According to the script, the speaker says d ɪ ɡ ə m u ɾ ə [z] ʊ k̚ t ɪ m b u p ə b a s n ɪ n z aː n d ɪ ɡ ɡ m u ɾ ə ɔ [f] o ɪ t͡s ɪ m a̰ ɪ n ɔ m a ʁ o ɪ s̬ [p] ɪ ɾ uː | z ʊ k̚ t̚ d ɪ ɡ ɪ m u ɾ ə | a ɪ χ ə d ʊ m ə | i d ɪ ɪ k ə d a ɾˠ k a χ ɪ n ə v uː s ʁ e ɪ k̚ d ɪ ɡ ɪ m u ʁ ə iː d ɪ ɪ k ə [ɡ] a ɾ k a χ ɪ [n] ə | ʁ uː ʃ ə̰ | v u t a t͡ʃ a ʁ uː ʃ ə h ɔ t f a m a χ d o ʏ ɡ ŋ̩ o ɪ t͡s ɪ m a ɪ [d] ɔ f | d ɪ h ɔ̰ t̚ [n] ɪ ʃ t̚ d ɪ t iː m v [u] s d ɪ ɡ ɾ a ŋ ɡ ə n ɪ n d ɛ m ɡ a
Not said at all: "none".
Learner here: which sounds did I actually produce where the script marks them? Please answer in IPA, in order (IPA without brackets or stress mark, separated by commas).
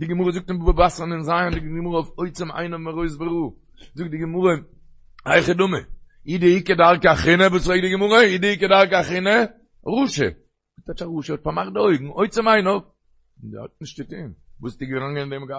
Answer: z, f, b, d, n, n, n, uː